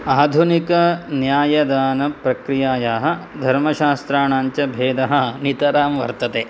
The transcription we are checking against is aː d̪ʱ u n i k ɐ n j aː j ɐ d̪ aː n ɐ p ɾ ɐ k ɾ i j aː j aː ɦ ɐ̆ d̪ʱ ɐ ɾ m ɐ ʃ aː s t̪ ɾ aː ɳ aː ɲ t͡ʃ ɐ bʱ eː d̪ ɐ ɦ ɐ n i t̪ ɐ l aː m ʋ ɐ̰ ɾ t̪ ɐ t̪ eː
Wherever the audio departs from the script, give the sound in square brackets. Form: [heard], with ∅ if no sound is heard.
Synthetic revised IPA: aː d̪ʱ u n i k ɐ n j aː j ɐ d̪ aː n ɐ p ɾ ɐ k ɾ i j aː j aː ɦ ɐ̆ d̪ʱ ɐ ɾ m ɐ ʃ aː s t̪ ɾ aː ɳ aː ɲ t͡ʃ ɐ bʱ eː d̪ ɐ ɦ ɐ n i t̪ ɐ [ɾ] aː m ʋ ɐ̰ ɾ t̪ ɐ t̪ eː